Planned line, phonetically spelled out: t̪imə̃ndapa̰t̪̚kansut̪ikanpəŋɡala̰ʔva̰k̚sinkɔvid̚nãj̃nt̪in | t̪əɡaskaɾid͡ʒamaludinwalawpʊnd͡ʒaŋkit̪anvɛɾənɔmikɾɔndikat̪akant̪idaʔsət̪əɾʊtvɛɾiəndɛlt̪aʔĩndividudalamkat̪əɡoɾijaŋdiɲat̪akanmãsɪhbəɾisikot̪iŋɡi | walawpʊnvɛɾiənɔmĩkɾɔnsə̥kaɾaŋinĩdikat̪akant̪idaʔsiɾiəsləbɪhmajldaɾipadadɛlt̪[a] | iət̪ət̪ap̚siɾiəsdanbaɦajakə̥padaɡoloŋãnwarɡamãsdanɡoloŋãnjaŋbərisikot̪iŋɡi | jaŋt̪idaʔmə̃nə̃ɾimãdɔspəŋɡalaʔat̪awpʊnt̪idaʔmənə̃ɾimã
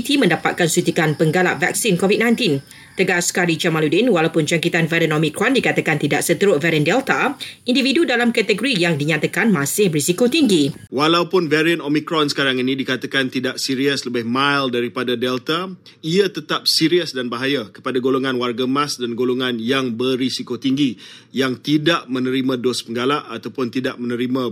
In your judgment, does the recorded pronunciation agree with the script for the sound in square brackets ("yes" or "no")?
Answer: yes